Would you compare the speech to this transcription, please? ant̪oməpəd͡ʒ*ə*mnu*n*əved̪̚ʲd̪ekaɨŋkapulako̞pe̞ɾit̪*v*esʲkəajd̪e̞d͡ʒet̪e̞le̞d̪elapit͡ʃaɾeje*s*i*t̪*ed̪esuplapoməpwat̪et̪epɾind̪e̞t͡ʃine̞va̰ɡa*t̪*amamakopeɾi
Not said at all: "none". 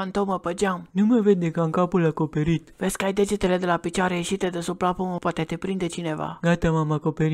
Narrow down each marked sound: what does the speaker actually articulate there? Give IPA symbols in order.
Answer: a, m, v, ʃ, t̪, t̪

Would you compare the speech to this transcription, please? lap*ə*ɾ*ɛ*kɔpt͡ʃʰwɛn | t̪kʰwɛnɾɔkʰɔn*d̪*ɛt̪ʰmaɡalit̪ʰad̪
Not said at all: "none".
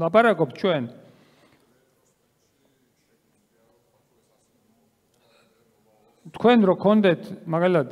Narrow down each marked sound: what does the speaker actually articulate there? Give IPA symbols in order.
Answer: a, a, d̪

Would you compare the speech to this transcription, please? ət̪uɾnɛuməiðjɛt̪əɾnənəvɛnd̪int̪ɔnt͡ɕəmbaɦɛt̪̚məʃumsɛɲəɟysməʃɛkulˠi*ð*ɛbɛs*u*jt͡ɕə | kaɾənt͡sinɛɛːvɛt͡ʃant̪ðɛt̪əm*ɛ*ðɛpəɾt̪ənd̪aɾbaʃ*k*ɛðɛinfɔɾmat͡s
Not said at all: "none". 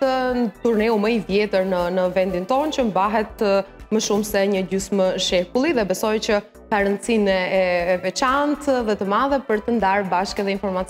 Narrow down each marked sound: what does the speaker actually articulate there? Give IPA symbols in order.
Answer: ð, ɔ, a, k

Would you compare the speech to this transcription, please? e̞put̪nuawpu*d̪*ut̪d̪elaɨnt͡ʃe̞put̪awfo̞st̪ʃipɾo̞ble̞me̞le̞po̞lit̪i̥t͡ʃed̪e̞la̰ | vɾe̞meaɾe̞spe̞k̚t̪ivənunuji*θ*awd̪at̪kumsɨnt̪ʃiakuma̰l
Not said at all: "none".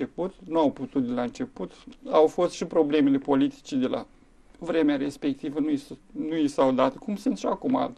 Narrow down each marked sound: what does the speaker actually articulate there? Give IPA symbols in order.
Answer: t̪, s

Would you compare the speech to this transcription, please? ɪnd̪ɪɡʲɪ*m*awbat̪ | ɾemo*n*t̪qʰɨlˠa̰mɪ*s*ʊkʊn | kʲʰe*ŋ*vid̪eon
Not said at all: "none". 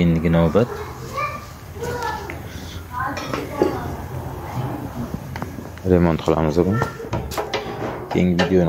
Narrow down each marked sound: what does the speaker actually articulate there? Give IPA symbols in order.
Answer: n, n, z, ŋ

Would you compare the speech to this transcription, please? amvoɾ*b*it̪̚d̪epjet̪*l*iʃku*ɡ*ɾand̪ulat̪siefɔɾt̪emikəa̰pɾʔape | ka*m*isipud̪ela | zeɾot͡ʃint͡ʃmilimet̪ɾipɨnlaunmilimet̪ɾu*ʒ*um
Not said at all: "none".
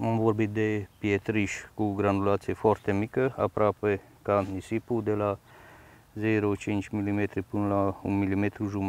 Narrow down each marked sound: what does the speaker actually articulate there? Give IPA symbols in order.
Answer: b, ɾ, ɡ, n, ʒ

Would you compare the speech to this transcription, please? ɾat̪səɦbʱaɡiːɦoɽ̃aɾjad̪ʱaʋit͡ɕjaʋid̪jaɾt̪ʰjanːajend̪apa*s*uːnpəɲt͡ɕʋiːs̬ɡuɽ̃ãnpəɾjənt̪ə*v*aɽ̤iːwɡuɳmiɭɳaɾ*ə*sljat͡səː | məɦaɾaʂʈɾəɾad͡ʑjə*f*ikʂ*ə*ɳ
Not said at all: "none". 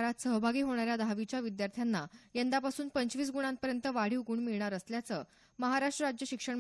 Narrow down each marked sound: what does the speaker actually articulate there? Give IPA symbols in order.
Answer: s, ʋ, ə, ɕ, ə

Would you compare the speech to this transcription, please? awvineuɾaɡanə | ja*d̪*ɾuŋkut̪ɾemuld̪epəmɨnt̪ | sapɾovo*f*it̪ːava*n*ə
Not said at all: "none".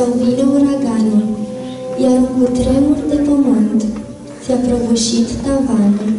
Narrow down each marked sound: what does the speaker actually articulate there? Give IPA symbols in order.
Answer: none, ʃ, n

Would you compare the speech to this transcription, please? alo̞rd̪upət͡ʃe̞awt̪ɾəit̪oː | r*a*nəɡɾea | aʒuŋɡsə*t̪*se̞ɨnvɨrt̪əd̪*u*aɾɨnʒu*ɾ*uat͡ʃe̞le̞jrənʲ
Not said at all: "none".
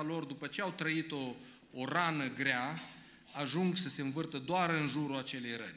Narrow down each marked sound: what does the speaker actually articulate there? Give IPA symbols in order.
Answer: a, none, o, ɾ

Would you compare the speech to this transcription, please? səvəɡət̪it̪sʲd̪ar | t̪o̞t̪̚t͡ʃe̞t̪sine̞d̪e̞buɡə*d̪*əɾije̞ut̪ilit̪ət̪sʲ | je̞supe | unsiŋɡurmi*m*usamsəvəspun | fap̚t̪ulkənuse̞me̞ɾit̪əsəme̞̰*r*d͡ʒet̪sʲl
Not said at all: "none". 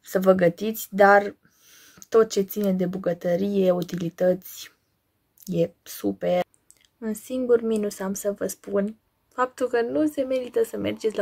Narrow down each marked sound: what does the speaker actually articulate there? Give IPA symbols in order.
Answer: t̪, n, r

